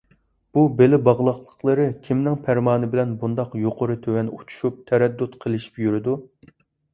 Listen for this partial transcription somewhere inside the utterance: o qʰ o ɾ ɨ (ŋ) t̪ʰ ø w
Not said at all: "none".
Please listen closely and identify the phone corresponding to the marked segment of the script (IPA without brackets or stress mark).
none